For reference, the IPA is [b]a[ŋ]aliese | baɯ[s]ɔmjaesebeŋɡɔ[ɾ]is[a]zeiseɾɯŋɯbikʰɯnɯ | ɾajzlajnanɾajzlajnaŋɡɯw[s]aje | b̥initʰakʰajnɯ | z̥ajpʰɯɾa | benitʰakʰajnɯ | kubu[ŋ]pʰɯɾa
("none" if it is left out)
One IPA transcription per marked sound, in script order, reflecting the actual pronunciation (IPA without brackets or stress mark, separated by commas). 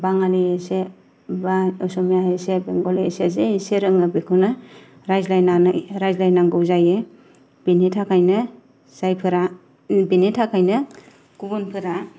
b, ŋ, s, l, e, z, n